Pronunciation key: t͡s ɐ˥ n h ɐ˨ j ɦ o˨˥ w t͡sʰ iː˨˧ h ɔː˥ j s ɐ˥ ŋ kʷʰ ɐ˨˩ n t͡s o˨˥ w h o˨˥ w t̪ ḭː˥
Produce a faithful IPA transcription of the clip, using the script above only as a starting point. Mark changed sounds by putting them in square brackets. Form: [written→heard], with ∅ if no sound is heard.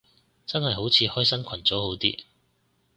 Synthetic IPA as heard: t͡s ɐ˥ n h ɐ˨ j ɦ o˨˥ w t͡sʰ iː˨˧ h ɔː˥ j s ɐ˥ [ŋ→n] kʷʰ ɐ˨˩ n t͡s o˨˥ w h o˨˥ w t̪ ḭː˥